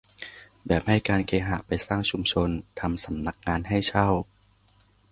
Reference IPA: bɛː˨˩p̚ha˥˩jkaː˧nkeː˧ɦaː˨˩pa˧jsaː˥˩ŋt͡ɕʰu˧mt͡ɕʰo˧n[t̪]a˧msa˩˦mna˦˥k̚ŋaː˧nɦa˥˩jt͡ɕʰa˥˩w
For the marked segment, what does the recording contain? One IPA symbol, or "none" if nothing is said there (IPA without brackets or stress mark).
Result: t̪ʰ